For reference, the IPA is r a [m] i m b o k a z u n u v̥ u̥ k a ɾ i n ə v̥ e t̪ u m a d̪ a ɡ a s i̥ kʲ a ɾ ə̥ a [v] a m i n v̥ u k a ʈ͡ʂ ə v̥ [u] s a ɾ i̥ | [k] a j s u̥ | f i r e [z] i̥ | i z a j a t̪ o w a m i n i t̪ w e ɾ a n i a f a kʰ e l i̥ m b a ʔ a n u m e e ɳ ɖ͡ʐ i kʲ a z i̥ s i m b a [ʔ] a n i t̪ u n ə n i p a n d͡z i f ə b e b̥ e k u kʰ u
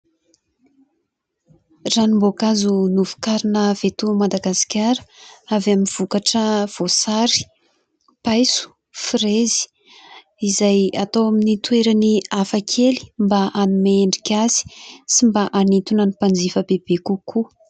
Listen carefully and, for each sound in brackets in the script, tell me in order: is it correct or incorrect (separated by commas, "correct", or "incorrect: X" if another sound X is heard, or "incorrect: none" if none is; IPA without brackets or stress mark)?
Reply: incorrect: n, correct, incorrect: o, incorrect: p, correct, correct